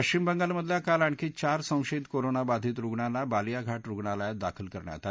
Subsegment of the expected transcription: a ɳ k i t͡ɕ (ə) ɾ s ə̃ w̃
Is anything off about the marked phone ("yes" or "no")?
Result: yes